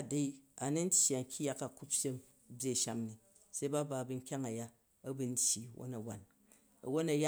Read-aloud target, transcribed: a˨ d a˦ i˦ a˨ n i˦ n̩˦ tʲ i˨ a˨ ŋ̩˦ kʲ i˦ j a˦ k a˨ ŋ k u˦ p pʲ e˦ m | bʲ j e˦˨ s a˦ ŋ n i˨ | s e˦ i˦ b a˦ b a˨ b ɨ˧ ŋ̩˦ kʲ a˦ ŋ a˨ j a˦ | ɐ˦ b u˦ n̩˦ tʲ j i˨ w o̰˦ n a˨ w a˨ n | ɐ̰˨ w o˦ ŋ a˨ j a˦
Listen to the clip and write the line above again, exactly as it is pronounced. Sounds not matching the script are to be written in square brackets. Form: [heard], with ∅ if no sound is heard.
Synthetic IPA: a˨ d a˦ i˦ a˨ n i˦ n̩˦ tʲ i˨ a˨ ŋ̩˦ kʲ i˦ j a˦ k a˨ [∅] k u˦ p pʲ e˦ m | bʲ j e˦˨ [ʃ] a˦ [m] n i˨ | s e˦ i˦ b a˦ b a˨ b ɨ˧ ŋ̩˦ kʲ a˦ ŋ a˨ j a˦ | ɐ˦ b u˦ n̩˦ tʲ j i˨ w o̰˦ n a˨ w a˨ n | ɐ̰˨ w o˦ [n] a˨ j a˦